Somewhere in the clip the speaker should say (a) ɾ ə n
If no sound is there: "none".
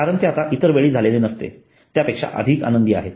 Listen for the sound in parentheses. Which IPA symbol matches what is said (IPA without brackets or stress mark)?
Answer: a